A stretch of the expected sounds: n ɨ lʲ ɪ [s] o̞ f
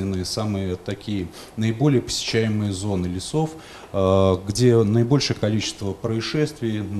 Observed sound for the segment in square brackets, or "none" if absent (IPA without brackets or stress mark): s